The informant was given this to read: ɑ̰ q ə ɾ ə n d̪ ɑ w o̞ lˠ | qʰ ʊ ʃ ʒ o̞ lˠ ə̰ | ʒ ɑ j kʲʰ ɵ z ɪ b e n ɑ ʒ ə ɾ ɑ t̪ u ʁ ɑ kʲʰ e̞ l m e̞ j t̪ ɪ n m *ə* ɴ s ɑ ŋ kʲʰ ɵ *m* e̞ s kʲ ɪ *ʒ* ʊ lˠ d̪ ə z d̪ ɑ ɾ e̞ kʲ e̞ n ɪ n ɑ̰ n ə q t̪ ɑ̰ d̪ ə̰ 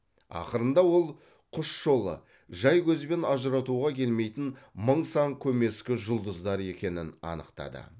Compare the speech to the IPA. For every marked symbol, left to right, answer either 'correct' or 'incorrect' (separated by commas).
correct, correct, correct